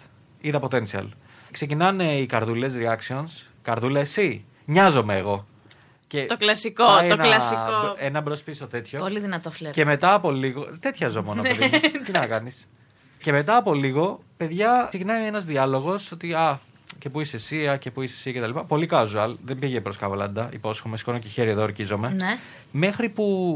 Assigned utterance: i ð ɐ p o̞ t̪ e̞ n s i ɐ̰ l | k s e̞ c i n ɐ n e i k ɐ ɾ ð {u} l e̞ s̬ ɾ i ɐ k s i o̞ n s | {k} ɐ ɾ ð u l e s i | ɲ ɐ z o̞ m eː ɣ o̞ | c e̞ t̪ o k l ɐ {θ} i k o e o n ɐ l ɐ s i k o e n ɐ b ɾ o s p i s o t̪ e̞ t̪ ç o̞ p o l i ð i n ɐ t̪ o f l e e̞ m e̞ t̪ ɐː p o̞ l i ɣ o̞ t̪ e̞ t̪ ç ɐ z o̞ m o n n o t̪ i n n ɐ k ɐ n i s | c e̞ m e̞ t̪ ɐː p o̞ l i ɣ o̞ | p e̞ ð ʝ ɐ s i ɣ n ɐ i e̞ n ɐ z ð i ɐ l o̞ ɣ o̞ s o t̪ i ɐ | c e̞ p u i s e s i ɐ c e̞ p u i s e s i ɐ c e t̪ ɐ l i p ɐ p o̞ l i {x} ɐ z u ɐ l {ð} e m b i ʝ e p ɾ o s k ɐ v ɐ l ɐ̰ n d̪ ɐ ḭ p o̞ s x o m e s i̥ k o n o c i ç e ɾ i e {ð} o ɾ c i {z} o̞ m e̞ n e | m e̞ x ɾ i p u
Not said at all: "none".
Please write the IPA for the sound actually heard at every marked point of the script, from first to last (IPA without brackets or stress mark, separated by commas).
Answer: u, k, s, k, ð, ð, z